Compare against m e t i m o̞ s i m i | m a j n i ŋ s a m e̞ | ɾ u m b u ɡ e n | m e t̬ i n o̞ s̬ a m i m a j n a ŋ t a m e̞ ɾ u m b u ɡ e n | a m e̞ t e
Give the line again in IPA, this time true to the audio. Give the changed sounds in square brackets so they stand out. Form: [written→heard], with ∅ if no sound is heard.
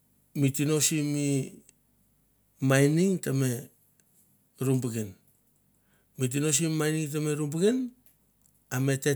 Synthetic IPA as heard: m [e→i] t i [m→n] o̞ s i m i | m a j n i ŋ [s→t] a m e̞ | ɾ u m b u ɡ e n | m [e→i] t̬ i n o̞ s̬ [a→i] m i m a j n [a→i] ŋ t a m e̞ ɾ u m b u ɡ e n | a m e̞ t e